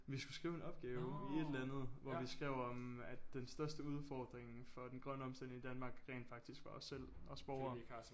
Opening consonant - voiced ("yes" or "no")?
yes